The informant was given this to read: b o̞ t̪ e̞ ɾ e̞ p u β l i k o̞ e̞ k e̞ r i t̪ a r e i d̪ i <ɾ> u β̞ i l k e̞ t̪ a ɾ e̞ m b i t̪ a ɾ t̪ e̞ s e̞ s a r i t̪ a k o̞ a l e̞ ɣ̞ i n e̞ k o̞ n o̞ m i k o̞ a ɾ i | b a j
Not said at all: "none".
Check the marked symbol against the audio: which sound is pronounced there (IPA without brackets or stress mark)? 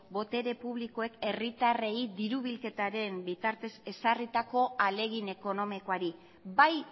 ɾ